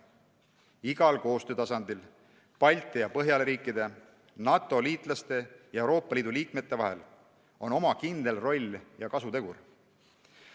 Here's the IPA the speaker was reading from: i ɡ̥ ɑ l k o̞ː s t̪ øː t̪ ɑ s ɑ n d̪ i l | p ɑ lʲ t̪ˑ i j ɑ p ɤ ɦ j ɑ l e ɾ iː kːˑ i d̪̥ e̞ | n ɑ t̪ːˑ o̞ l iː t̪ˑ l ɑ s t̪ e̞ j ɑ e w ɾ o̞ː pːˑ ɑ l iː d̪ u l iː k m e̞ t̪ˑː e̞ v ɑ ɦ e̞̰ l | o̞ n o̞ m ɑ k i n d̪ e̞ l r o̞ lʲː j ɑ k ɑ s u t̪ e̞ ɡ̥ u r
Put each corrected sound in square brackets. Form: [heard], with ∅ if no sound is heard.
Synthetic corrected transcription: i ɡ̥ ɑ l k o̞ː s t̪ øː t̪ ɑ s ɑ n d̪ i l | p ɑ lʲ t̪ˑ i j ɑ p ɤ ɦ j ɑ l e ɾ iː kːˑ i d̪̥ e̞ | n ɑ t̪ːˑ o̞ l iː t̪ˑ l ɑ s t̪ e̞ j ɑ e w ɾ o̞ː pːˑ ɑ l iː d̪ u l iː k m e̞ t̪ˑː e̞ v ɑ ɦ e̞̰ l | o̞ n o̞ m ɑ k i n d̪ e̞ l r o̞ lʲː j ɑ k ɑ s u t̪ e̞ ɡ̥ u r